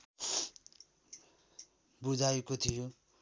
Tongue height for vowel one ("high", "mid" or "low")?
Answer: high